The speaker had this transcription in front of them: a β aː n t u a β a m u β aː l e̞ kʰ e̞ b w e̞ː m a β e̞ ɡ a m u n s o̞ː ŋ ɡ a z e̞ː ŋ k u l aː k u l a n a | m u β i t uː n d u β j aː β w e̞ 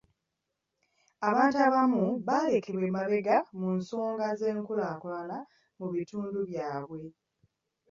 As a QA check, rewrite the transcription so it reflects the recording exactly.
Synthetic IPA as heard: a β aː n t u a β a m u β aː l e̞ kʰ e̞ β w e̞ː m a β e̞ ɡ a m u n s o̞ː ŋ ɡ a z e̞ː ŋ k u l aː k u l a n a | m u β i t uː n d u β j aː β w e̞